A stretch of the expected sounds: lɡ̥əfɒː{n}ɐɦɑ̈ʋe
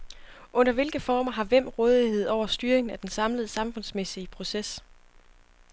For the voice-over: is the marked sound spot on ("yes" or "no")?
no